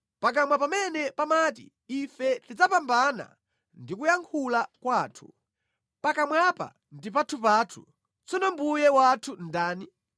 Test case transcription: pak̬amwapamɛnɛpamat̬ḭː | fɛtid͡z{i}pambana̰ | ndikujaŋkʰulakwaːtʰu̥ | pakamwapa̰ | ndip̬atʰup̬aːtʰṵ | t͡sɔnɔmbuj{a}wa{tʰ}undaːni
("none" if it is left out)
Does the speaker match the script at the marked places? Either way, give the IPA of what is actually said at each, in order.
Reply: a, ɛ, tʰ

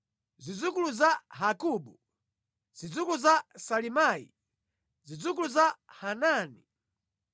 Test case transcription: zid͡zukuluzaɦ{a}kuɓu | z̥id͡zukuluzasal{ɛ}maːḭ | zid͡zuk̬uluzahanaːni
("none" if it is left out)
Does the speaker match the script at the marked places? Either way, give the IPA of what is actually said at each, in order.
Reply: a, i

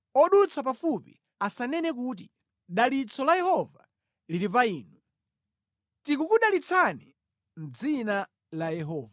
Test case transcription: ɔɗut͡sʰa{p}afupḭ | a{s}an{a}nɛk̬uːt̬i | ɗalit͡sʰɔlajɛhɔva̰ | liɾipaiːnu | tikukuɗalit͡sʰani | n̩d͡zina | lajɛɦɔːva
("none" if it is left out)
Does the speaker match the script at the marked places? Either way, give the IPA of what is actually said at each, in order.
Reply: p, s, ɛ

